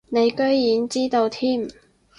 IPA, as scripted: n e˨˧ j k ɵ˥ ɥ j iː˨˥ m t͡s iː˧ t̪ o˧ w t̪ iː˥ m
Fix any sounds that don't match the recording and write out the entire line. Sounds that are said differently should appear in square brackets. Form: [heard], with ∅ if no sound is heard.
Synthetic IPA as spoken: n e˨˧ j k ɵ˥ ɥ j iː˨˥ [n] t͡s [iː˥] t̪ o˧ w [t̪ʰ] iː˥ m